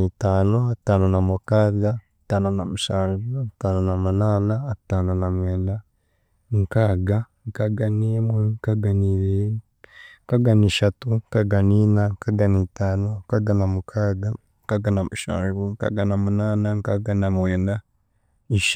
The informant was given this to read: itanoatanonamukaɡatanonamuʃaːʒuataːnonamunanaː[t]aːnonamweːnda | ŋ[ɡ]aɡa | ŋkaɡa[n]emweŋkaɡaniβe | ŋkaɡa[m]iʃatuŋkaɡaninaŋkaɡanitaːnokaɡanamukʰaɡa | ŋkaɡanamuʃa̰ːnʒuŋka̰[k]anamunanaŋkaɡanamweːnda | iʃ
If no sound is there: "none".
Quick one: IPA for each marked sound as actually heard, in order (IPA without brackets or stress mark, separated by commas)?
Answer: t, k, n, n, ɡ